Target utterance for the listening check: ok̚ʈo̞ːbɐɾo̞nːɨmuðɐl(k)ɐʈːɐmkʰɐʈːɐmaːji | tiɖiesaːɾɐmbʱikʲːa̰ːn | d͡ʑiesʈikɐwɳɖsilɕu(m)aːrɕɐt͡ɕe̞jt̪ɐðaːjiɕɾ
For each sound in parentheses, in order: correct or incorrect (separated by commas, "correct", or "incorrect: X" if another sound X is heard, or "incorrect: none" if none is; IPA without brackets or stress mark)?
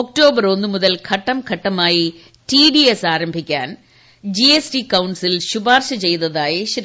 incorrect: kʰ, incorrect: b